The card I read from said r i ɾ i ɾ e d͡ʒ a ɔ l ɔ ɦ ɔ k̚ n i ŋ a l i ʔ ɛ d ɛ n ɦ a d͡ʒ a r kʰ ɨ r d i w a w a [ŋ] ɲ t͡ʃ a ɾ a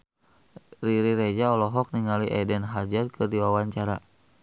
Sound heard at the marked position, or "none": none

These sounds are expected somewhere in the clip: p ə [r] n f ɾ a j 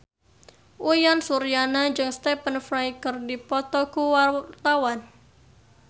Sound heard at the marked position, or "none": none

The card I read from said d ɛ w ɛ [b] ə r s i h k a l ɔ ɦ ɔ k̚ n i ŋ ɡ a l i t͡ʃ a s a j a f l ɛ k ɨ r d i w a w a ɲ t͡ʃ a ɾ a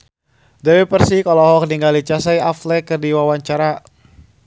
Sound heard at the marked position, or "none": p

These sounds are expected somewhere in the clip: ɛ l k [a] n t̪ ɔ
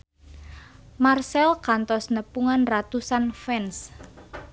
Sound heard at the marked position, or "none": a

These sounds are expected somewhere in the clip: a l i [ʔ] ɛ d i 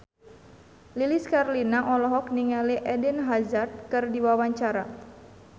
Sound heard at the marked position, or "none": ʔ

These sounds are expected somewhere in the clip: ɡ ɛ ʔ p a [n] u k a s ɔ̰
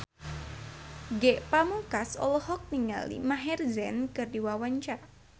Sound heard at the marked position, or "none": m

